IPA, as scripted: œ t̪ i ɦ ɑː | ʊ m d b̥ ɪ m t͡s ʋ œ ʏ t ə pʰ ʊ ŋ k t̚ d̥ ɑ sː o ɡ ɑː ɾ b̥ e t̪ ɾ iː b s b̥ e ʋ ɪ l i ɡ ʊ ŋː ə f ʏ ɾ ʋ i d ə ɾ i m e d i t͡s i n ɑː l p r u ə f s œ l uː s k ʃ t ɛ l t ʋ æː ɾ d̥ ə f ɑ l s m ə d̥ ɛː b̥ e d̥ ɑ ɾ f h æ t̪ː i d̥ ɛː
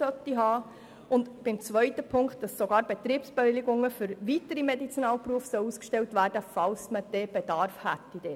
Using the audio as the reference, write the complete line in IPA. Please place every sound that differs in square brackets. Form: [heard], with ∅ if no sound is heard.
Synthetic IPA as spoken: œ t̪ i ɦ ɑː | ʊ [n] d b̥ ɪ m t͡s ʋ œ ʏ t ə pʰ ʊ ŋ k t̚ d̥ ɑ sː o ɡ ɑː ɾ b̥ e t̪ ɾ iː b s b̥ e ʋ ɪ l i ɡ ʊ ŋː ə f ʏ ɾ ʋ i [t] ə ɾ i m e d i t͡s i n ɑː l p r u ə f s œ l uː s k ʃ t ɛ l t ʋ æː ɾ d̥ ə f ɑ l s m ə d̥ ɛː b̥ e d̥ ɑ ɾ f h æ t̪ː i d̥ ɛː